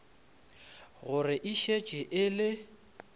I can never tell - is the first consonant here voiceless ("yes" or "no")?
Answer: no